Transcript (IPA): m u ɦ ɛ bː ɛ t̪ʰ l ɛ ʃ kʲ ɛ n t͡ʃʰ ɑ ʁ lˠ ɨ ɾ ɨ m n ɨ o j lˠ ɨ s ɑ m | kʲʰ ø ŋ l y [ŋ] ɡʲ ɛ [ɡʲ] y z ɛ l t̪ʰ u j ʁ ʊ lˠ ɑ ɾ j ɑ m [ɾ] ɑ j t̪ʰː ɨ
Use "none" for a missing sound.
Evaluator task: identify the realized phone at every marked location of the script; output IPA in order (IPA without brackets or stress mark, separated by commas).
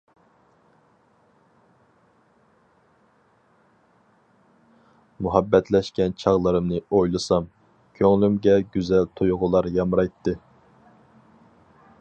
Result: m, ɡʲ, ɾ